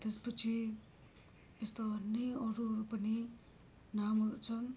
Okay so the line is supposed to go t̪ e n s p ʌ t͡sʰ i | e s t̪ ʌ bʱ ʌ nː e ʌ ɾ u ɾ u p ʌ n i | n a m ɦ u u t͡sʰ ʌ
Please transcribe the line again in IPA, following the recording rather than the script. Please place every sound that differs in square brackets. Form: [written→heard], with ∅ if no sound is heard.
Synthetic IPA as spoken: t̪ e [n→∅] s p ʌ t͡sʰ i | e s t̪ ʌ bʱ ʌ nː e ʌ ɾ u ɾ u p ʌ n i | n a m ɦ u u t͡sʰ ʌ